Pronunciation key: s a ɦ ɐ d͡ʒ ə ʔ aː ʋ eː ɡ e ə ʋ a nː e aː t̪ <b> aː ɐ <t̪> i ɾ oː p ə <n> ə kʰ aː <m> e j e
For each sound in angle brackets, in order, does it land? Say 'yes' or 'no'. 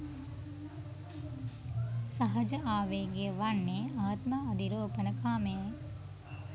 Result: no, no, yes, yes

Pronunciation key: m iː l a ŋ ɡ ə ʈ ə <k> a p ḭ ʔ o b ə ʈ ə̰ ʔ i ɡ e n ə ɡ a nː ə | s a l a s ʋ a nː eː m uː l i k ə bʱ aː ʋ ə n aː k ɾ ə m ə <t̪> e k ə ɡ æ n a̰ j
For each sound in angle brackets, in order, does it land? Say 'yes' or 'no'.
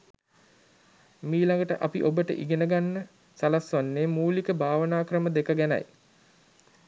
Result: no, no

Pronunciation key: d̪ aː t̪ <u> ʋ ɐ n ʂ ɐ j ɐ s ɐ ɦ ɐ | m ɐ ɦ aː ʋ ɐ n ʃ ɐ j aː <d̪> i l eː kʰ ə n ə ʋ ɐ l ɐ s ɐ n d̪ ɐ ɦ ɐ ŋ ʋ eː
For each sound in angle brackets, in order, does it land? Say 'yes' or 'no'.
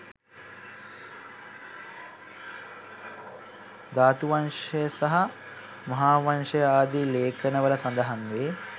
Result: yes, yes

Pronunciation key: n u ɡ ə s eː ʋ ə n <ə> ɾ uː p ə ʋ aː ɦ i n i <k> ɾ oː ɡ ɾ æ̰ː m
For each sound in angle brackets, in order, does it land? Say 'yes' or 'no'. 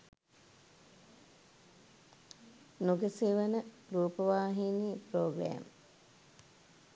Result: yes, no

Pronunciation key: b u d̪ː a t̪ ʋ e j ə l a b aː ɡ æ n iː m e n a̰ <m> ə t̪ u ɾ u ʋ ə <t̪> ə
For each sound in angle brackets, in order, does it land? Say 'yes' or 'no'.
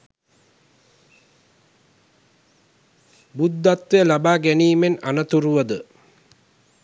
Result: no, no

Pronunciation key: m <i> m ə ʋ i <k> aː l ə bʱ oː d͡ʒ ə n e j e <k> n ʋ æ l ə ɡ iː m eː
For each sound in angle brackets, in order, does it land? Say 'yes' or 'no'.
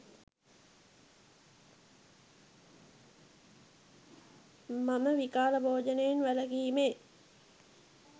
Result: no, yes, no

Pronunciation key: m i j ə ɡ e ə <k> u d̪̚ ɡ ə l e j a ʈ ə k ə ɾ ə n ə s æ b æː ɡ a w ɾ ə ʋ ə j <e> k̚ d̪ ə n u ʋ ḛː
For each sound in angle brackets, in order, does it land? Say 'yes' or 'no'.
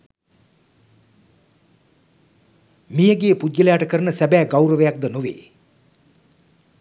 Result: no, no

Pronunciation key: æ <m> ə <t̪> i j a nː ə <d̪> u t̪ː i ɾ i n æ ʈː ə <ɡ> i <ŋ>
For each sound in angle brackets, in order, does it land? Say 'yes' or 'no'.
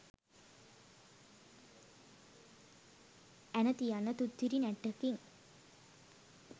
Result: no, yes, no, no, yes

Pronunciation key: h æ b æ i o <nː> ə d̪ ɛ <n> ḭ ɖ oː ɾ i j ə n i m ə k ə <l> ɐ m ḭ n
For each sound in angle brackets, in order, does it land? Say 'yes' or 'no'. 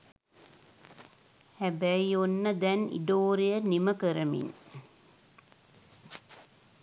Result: yes, yes, no

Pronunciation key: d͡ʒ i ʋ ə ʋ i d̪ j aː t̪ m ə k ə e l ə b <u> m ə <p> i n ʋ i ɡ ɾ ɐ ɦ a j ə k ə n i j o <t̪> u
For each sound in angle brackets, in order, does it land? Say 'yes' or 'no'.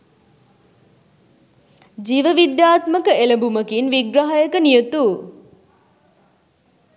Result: yes, no, yes

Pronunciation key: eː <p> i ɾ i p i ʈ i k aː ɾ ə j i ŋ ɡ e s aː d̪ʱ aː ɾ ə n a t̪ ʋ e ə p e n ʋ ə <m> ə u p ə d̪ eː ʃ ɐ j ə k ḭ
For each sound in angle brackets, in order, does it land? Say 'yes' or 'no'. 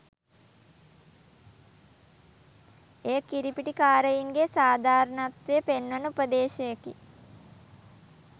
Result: no, no

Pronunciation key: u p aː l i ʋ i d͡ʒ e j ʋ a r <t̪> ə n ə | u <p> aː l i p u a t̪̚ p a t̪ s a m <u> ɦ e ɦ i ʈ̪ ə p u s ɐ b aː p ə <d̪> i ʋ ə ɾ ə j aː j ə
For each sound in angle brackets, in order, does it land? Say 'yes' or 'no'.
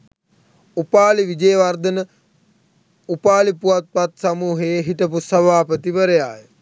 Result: no, yes, no, no

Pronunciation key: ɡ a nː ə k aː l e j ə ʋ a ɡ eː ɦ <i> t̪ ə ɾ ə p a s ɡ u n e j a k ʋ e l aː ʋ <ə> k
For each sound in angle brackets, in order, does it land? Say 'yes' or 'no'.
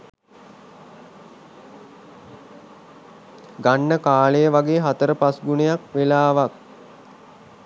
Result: no, no

